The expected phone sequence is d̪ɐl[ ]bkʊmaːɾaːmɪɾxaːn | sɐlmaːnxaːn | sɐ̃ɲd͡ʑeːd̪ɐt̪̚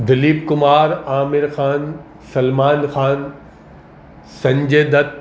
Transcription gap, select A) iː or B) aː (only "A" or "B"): A